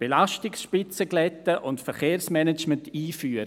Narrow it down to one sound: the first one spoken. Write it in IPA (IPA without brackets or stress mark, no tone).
b̥